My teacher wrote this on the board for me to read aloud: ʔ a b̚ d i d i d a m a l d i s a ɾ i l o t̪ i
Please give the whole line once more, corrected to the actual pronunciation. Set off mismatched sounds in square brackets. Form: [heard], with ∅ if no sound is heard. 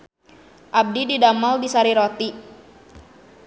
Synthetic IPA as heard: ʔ a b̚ d i d i d a m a l d i s a ɾ i [ɾ] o t̪ i